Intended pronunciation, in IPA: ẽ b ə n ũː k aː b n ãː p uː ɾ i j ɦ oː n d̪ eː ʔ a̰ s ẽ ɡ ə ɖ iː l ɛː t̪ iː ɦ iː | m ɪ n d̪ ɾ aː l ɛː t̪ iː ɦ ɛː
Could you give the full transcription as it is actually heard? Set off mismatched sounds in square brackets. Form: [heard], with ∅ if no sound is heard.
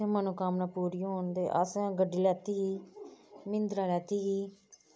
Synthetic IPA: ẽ [m] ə n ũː k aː [m] n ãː p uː ɾ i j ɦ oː n d̪ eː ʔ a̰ s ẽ ɡ ə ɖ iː l ɛː t̪ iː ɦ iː | m ɪ n d̪ ɾ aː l ɛː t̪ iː ɦ [iː]